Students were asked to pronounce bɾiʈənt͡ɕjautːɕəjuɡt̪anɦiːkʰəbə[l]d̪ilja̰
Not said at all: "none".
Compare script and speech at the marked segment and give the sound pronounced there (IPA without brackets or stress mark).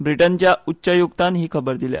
ɾ